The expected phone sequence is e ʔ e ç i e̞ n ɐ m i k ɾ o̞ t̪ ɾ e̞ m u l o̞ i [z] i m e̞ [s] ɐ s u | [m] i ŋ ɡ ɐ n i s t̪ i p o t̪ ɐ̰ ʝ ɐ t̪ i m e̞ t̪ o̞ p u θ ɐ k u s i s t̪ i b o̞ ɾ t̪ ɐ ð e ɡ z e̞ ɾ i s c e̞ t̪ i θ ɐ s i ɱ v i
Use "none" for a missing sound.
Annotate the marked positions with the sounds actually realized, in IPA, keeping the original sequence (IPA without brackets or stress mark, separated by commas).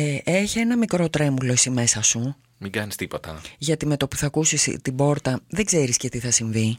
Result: s, s, m